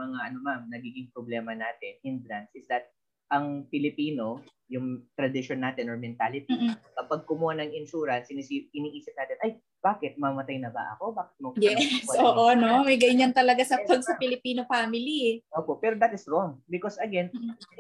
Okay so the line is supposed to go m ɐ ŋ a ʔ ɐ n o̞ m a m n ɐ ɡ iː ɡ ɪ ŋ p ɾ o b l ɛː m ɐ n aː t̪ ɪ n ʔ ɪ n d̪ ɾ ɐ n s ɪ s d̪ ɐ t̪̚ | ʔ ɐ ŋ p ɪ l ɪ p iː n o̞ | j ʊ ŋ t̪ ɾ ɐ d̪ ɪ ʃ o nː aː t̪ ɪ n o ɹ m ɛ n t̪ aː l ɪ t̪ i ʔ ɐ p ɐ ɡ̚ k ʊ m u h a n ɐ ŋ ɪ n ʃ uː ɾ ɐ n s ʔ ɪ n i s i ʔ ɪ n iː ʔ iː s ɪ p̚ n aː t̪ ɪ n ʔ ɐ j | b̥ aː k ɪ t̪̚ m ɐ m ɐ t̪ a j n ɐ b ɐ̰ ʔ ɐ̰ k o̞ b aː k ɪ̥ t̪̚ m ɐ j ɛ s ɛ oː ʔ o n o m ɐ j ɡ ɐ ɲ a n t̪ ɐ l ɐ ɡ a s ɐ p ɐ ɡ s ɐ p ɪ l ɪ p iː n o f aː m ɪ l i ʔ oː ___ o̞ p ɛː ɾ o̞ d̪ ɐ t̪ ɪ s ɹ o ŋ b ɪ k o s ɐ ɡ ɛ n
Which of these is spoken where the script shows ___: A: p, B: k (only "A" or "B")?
A